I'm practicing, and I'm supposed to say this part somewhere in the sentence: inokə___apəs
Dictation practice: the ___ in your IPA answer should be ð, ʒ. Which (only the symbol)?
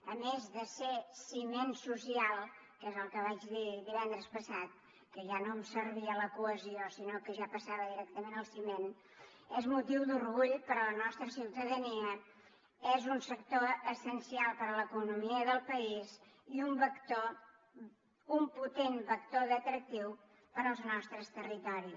ʒ